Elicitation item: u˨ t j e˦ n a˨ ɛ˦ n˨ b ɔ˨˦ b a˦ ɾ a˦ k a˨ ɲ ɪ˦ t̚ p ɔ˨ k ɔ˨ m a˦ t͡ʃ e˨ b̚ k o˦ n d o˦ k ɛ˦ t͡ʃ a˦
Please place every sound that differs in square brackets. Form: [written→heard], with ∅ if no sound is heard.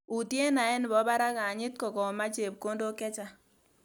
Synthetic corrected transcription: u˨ t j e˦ n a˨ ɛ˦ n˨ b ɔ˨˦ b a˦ ɾ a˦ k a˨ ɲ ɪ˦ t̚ [p→k] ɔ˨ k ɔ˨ m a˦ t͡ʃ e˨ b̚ k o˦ n d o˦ k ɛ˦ t͡ʃ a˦